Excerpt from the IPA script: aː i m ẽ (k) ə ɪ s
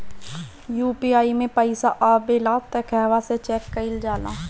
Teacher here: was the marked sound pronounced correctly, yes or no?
no